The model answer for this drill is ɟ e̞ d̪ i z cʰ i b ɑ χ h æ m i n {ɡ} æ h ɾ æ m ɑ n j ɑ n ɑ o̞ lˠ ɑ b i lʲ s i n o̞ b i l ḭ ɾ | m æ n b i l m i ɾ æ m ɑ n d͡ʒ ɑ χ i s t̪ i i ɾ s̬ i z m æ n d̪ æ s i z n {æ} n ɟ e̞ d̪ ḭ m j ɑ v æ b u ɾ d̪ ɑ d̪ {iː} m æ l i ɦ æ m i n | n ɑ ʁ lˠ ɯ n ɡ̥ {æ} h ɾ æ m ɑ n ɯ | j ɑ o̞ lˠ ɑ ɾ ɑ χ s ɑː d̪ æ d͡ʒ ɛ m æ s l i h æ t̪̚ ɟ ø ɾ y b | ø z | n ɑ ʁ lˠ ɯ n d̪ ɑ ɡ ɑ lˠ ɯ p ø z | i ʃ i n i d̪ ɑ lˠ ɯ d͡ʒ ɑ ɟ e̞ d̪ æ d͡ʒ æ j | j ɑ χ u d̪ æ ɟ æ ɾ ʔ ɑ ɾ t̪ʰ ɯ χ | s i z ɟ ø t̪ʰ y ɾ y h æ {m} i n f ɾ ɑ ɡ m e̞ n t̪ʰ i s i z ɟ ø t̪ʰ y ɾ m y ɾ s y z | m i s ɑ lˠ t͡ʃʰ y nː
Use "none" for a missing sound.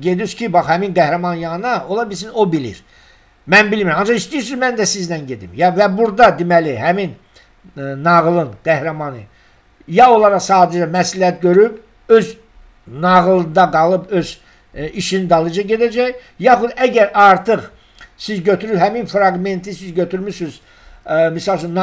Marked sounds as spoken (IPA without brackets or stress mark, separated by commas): ɡ, æ, i, æ, m